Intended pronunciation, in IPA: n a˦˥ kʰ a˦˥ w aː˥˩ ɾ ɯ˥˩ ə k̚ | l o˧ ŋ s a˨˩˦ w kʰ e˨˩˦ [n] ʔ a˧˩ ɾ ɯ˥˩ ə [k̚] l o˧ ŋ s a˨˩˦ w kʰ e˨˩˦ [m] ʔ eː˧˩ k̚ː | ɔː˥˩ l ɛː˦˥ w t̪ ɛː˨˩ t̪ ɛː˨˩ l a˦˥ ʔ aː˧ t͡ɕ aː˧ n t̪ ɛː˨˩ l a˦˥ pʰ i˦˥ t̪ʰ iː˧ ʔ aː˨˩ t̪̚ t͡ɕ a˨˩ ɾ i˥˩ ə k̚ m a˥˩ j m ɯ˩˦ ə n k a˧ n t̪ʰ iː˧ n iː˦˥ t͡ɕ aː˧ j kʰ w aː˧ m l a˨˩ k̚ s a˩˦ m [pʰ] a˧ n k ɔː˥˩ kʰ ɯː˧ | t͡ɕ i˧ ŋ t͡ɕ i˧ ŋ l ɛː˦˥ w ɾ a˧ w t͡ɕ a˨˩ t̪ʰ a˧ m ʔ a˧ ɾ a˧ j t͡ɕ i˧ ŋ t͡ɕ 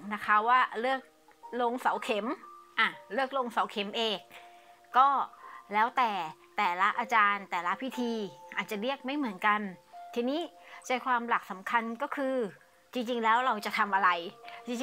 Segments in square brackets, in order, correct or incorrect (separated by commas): incorrect, correct, correct, incorrect